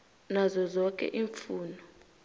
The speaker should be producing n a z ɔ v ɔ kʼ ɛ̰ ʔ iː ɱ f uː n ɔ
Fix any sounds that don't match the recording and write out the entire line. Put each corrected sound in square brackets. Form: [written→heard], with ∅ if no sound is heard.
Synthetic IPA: n a z ɔ [v→z] ɔ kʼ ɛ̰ ʔ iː ɱ f uː n ɔ